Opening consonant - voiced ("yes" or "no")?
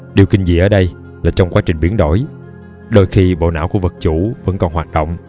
yes